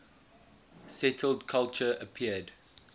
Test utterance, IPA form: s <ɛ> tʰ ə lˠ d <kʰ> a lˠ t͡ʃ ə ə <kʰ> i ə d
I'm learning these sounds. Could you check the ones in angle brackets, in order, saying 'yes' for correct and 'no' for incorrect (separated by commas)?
yes, yes, no